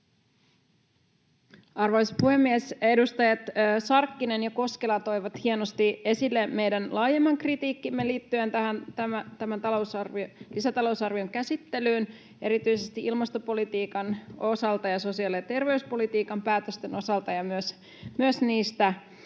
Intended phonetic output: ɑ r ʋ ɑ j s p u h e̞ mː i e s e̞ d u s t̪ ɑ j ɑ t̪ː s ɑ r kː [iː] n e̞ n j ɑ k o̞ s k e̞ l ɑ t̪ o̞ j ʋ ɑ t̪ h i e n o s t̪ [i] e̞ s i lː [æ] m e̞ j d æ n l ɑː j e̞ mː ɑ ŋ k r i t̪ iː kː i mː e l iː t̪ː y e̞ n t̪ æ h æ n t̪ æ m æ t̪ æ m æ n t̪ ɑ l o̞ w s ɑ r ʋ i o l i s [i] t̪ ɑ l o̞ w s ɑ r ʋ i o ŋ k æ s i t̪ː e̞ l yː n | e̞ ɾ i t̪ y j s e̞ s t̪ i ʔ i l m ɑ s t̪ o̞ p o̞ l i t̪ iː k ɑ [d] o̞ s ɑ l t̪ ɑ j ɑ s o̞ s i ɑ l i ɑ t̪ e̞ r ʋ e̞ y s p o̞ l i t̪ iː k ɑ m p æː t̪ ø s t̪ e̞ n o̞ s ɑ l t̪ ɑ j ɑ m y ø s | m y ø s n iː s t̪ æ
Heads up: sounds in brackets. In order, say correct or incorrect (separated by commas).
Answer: incorrect, correct, incorrect, incorrect, incorrect